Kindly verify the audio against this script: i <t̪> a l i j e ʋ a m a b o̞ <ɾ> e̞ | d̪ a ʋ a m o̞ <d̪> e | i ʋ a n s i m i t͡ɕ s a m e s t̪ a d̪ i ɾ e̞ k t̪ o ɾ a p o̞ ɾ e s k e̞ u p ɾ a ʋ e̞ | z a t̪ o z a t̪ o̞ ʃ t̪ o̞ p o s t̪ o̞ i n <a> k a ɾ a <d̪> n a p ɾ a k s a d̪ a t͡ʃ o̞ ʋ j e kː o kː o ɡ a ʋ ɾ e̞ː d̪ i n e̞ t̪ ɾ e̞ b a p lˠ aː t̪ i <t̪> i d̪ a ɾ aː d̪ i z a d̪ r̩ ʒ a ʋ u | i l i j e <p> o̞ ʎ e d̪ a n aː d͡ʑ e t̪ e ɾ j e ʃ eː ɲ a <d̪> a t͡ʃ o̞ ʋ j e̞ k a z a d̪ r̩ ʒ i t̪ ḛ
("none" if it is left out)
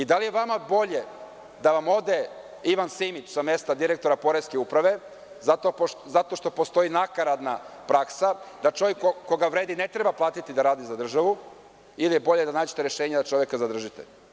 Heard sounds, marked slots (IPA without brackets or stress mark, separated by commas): d̪, ʎ, d̪, a, d̪, t̪, b, d̪